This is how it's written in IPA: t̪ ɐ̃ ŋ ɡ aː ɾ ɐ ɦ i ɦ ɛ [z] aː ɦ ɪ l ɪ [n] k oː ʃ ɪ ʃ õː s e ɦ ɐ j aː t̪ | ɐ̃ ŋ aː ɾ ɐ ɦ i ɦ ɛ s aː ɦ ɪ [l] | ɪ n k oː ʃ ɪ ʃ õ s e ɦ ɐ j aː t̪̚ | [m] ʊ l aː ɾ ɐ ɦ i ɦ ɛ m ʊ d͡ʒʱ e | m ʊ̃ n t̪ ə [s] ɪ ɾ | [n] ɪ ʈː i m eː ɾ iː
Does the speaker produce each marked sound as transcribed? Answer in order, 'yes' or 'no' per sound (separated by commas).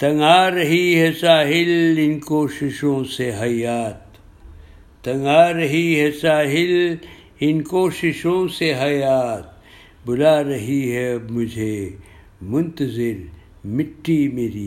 no, yes, yes, no, no, no